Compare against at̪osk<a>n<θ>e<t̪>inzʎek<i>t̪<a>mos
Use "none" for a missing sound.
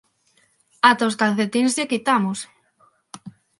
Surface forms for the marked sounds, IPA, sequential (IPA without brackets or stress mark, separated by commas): a, θ, t̪, i, a